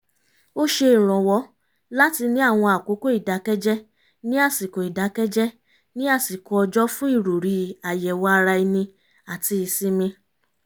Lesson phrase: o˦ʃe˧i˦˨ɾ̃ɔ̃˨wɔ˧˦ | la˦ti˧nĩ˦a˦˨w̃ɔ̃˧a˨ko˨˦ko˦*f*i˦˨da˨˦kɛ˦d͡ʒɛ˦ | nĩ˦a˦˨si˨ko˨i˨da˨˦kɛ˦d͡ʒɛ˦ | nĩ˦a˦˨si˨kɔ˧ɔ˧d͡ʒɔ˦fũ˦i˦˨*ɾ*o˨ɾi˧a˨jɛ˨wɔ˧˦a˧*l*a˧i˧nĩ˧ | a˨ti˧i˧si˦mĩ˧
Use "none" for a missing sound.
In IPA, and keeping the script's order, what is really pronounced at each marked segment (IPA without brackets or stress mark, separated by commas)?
none, ɾ, ɾ